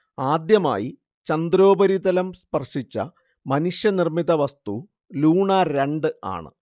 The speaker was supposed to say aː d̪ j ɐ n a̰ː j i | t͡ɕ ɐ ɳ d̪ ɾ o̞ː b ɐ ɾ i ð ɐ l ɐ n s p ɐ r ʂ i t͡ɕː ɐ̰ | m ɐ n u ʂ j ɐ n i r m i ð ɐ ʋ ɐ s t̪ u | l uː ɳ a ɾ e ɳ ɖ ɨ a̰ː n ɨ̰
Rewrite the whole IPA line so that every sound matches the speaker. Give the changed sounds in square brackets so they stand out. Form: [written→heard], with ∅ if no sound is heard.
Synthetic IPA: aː d̪ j ɐ [n→m] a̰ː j i | t͡ɕ ɐ [ɳ→n] d̪ ɾ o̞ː b ɐ ɾ i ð ɐ l ɐ [n→m] s p ɐ r ʂ i t͡ɕː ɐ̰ | m ɐ n u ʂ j ɐ n i r m i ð ɐ ʋ ɐ s t̪ u | l uː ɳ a ɾ e ɳ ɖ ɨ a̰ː [n→ɳ] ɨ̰